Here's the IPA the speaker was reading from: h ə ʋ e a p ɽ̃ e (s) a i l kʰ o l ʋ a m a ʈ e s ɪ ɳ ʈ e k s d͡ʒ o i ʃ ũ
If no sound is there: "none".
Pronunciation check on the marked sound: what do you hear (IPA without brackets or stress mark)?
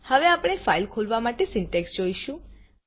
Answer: f